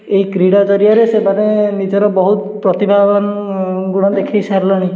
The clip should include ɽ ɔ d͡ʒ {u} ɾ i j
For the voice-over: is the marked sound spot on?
no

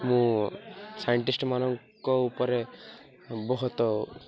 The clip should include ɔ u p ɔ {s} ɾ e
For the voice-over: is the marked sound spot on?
no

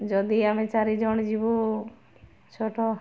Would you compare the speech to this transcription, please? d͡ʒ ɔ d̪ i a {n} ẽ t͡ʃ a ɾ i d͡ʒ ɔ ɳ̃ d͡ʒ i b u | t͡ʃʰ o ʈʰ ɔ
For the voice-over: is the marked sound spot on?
no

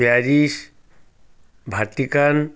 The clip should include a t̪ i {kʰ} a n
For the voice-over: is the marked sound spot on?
no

